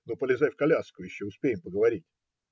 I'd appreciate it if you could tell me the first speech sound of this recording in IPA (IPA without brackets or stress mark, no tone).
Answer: n